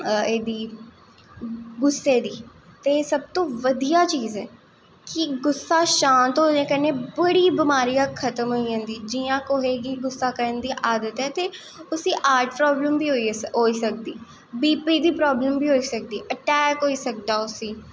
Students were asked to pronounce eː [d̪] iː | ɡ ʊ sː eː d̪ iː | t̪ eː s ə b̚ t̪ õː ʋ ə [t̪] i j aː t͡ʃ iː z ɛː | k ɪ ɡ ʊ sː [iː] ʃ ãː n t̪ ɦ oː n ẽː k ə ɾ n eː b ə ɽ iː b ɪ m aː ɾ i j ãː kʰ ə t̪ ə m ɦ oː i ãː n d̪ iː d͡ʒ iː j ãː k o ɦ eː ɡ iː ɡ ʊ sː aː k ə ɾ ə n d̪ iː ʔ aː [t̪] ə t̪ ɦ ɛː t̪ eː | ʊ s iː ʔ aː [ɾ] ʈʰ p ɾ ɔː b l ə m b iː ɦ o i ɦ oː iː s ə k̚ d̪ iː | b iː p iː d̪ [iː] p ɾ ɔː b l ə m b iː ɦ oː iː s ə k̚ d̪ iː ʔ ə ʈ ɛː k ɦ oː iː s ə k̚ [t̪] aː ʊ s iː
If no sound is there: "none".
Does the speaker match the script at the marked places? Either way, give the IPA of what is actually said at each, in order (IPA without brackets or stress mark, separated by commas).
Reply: d̪, d̪, aː, d̪, ɾ, iː, d̪